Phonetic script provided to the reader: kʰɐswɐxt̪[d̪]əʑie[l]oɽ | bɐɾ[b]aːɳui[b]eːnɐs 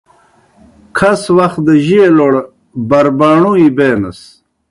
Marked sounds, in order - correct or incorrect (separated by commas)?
correct, correct, correct, correct